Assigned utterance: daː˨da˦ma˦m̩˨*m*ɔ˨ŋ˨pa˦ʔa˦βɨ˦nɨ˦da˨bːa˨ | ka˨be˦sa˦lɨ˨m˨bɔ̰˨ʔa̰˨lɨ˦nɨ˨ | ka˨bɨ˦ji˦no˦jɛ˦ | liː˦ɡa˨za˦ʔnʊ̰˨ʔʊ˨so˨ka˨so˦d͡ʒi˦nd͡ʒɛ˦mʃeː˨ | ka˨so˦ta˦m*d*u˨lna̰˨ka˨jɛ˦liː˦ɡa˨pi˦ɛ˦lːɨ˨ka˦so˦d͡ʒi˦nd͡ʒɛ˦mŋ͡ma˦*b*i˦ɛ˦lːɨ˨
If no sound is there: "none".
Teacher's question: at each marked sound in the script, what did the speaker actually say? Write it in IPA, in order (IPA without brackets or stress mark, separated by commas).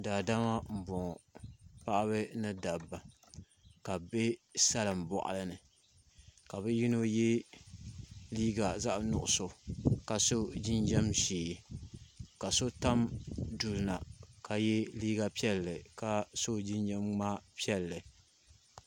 b, d, p